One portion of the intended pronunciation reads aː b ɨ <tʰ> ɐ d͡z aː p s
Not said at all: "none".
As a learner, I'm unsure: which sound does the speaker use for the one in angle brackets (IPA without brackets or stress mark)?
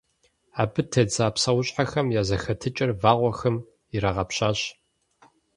tʰ